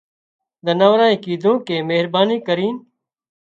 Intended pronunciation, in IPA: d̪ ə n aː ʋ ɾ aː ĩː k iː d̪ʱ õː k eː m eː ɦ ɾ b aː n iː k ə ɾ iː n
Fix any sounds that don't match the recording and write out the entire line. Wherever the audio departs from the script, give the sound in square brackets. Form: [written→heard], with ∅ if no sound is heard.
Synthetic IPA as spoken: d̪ ə n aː ʋ ɾ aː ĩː k iː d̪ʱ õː k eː m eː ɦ ɾ b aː n iː k ə ɾ iː n